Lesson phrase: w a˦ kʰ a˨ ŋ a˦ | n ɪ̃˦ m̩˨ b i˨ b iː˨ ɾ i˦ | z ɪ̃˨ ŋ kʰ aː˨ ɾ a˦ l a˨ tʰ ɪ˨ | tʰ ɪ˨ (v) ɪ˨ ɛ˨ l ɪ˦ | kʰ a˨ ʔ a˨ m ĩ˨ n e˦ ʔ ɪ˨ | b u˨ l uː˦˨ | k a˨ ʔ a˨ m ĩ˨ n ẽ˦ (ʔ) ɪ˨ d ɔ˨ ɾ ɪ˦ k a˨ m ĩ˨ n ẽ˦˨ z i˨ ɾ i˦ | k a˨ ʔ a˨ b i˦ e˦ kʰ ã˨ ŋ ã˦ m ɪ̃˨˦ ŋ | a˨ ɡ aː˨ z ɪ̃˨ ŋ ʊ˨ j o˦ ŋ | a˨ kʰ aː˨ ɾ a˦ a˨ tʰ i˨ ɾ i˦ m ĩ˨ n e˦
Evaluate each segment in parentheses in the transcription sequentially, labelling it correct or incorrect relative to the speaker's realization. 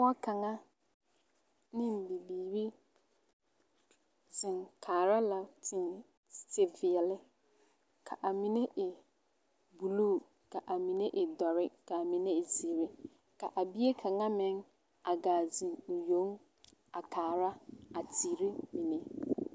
correct, correct

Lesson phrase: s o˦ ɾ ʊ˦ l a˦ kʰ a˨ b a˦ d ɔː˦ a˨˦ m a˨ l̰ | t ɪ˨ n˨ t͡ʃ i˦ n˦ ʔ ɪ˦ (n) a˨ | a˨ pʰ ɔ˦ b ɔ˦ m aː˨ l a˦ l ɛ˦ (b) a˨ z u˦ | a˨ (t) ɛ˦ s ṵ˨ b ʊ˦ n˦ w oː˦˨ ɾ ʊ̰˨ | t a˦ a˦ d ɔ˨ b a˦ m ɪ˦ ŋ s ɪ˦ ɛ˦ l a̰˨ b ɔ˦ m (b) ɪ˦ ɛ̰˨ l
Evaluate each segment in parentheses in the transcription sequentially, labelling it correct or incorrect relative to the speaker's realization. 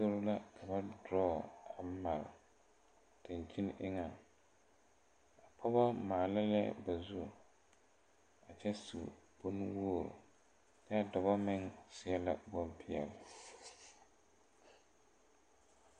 incorrect: ŋ, correct, incorrect: t͡ʃ, incorrect: p

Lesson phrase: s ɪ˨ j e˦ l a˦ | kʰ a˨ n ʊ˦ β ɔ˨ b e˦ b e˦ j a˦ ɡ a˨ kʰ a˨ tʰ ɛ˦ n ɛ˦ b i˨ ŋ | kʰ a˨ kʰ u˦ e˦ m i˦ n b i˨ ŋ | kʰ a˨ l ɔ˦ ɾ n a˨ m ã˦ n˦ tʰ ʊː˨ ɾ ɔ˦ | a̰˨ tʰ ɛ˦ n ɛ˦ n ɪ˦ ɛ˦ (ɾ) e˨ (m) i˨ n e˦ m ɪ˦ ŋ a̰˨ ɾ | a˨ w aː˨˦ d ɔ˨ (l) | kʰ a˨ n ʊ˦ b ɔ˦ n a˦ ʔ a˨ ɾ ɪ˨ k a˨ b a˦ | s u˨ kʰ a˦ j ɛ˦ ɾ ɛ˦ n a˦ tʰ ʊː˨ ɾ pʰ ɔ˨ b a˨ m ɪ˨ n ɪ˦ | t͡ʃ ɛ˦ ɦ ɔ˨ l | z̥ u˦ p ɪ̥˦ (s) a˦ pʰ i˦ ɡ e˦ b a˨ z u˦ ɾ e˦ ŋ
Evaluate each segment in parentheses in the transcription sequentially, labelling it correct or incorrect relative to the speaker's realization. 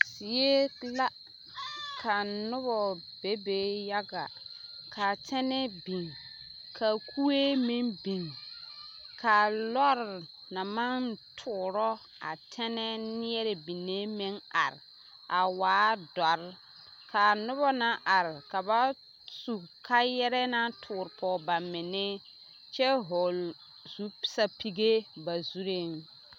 correct, incorrect: b, incorrect: ɾ, correct

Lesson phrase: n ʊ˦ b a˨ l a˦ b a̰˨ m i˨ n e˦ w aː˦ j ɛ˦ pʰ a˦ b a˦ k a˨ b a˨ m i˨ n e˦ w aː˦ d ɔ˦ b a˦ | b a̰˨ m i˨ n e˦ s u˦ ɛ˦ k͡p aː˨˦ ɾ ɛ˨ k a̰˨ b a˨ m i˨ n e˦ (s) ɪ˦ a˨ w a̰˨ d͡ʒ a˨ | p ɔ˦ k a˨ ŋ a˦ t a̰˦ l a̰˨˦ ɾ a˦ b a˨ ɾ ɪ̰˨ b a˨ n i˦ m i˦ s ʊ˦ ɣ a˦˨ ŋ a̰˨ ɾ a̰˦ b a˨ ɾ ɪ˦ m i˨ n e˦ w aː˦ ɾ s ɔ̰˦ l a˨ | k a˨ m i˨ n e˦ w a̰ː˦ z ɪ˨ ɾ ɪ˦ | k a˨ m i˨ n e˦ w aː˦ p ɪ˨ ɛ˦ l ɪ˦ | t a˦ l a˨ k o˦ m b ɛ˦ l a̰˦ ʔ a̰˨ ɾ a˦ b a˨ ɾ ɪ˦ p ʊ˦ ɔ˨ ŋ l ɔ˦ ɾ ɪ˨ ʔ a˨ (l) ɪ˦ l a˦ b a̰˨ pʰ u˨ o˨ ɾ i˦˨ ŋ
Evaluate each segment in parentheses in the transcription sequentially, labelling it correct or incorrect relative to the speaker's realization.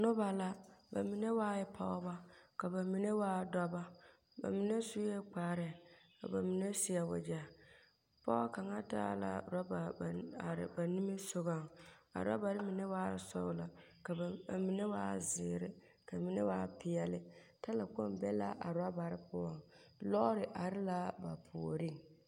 correct, incorrect: ɾ

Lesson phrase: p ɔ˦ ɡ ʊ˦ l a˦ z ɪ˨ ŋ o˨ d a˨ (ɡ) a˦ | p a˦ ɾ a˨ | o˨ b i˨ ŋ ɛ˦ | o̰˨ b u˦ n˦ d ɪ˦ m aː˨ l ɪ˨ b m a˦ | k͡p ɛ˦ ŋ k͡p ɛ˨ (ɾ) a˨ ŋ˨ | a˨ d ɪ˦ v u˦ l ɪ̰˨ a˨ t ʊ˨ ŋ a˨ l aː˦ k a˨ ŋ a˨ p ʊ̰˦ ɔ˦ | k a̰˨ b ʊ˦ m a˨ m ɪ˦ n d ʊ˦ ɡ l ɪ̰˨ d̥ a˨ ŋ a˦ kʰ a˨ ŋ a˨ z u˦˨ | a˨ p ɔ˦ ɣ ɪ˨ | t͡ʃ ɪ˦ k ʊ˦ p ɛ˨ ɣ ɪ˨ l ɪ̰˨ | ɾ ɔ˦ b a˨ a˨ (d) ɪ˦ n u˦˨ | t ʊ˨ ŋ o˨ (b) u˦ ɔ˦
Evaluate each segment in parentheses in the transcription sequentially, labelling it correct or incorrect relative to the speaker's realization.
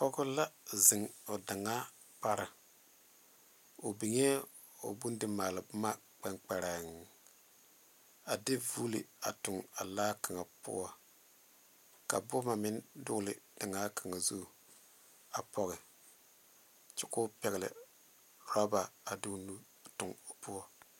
incorrect: ŋ, correct, correct, incorrect: p

